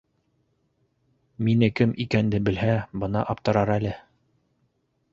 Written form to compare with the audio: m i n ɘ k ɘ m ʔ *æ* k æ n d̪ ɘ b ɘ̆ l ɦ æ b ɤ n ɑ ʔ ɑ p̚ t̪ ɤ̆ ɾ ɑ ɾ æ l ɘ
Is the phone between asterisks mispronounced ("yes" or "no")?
yes